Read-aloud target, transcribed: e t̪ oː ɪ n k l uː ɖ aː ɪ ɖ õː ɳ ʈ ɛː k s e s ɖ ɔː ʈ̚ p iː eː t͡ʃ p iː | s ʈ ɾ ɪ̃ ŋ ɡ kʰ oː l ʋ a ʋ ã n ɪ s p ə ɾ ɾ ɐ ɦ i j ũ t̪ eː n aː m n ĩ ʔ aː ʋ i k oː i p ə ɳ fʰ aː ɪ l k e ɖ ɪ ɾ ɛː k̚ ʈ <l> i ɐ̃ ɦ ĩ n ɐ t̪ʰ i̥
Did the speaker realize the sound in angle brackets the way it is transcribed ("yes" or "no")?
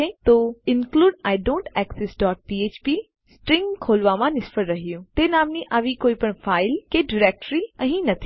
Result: no